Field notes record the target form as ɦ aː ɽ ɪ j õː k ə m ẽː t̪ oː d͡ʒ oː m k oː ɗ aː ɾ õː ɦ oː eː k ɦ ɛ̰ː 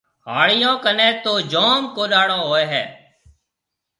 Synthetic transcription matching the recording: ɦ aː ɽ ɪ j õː k ə n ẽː t̪ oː d͡ʒ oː m k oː ɗ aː ɽ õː ɦ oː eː ɦ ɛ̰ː